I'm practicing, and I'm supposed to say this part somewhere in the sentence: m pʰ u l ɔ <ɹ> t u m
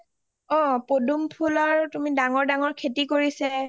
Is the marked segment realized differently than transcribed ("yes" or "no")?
no